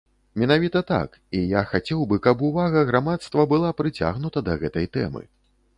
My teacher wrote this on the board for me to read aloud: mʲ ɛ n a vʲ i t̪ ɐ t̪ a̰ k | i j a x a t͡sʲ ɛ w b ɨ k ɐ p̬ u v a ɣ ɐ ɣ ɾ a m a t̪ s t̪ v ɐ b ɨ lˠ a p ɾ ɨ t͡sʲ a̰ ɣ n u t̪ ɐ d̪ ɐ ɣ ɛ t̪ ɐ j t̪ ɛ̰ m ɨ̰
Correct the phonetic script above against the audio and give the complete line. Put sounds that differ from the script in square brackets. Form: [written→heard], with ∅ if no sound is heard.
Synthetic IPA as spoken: mʲ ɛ n a vʲ i t̪ ɐ t̪ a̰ k | i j a x a t͡sʲ ɛ w b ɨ k ɐ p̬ u v a ɣ ɐ ɣ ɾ a m a t̪ s t̪ v ɐ b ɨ lˠ a p ɾ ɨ t͡sʲ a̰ ɣ n u t̪ ɐ d̪ ɐ ɣ ɛ t̪ ɐ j t̪ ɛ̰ m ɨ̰